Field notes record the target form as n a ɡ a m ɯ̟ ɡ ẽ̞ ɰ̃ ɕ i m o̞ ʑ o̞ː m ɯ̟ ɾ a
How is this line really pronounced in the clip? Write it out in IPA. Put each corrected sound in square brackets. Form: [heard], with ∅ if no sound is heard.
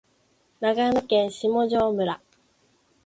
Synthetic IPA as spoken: n a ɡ a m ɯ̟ [k] ẽ̞ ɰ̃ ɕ i m o̞ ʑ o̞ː m ɯ̟ ɾ a